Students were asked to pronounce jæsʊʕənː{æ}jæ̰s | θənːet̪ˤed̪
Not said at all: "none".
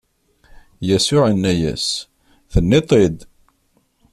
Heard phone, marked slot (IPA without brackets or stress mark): æ